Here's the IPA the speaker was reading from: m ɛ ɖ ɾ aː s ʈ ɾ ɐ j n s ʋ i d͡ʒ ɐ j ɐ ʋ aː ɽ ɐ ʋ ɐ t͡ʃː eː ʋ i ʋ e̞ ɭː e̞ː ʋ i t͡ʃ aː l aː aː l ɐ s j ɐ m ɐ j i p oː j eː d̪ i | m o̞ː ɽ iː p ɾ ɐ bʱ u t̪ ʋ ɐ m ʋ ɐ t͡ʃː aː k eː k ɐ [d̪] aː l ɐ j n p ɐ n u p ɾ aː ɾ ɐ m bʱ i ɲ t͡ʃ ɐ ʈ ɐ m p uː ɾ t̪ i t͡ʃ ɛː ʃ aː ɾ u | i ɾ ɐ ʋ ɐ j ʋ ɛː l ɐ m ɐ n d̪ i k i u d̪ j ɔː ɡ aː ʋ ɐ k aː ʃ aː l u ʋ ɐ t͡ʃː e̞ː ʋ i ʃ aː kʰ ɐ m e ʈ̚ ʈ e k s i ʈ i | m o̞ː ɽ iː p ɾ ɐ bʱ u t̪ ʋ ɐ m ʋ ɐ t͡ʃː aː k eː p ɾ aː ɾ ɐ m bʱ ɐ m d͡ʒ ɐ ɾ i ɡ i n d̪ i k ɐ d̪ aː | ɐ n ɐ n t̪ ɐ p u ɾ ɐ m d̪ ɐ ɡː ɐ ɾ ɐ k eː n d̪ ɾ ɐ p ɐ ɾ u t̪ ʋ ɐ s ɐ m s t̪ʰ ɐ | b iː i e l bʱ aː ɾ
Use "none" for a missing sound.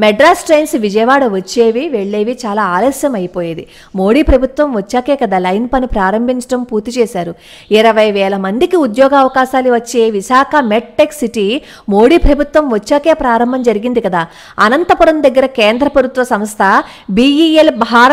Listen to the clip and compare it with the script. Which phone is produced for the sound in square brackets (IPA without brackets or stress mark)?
d̪